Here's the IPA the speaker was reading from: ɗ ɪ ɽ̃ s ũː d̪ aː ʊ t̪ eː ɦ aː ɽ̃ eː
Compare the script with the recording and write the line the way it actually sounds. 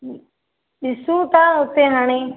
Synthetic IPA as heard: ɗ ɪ s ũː t̪ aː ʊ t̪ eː ɦ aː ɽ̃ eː